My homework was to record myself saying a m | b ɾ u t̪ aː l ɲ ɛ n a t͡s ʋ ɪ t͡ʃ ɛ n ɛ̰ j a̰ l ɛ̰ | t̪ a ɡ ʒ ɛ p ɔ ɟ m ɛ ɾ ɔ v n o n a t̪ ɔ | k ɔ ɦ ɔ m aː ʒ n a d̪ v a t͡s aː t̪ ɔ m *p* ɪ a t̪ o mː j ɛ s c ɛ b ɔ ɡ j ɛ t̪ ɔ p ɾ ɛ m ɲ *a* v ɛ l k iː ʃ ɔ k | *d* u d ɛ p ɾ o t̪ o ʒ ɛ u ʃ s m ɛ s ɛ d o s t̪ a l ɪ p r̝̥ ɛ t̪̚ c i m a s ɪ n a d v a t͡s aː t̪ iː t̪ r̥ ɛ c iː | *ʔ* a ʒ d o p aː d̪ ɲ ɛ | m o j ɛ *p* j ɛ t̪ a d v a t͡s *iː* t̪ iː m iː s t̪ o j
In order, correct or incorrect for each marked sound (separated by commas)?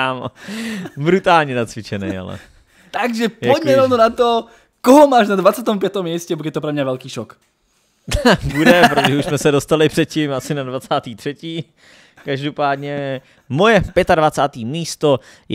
correct, correct, incorrect, incorrect, correct, incorrect